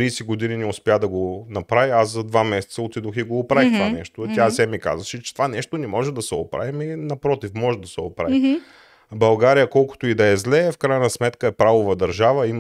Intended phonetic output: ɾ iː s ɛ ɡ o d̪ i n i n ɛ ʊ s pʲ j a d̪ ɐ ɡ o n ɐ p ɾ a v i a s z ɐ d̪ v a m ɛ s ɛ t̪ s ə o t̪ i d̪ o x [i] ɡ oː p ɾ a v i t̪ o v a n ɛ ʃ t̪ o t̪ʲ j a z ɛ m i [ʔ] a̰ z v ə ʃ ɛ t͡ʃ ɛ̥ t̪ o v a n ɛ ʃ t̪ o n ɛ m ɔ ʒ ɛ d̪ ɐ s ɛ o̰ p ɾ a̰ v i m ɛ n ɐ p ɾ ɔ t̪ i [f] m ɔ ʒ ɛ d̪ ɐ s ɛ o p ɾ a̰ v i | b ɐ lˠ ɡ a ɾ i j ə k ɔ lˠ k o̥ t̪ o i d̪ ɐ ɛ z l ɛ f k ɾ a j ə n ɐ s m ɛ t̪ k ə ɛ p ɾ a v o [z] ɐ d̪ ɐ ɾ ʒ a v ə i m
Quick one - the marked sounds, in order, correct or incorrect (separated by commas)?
correct, incorrect, correct, incorrect